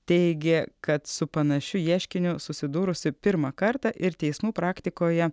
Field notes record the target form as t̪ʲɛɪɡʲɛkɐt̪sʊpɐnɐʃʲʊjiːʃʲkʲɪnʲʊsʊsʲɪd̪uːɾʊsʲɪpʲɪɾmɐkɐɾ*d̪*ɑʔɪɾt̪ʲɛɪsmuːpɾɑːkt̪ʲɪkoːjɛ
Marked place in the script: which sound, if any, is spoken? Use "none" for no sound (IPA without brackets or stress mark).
t̪